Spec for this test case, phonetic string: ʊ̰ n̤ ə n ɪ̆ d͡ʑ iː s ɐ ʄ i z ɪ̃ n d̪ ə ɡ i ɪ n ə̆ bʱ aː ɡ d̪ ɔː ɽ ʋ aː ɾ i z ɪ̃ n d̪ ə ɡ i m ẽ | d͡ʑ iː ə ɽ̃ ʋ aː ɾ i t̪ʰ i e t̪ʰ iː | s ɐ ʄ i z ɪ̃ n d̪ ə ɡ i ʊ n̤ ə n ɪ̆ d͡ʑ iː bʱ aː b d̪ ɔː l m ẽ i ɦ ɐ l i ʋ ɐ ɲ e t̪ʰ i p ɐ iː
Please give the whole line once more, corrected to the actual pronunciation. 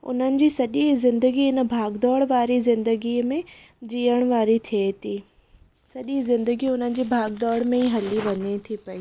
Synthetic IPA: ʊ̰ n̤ ə n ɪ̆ d͡ʑ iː s ɐ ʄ i z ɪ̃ n d̪ ə ɡ i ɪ n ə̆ bʱ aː ɡ d̪ ɔː ɽ ʋ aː ɾ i z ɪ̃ n d̪ ə ɡ i m ẽ | d͡ʑ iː ə ɽ̃ ʋ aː ɾ i t̪ʰ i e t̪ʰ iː | s ɐ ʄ i z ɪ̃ n d̪ ə ɡ i ʊ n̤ ə n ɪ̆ d͡ʑ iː bʱ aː ɡ d̪ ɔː ɽ m ẽ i ɦ ɐ l i ʋ ɐ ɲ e t̪ʰ i p ɐ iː